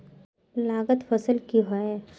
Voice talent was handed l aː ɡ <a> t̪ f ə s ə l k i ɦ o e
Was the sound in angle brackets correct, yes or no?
no